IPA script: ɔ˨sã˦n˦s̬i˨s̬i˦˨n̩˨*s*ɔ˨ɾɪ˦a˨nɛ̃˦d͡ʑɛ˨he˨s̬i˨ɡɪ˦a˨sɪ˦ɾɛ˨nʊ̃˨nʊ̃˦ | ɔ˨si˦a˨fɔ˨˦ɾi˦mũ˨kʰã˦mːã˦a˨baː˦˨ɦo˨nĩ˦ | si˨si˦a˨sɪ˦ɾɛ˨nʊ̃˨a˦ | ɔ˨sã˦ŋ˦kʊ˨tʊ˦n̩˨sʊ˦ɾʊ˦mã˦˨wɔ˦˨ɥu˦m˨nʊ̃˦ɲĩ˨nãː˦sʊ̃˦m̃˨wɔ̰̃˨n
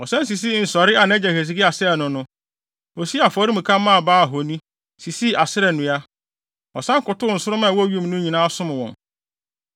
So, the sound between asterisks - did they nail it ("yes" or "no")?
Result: yes